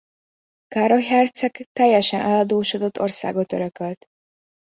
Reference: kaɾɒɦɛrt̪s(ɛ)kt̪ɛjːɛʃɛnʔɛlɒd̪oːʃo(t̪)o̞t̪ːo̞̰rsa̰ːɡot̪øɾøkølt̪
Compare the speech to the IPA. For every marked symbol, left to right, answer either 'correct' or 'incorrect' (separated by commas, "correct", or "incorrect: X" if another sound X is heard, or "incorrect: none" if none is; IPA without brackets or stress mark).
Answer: correct, incorrect: d̪